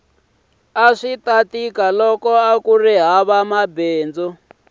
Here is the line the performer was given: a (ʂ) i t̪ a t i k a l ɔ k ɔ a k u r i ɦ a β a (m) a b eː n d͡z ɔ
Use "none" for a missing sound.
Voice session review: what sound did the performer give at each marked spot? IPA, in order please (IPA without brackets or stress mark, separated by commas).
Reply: ʂ, m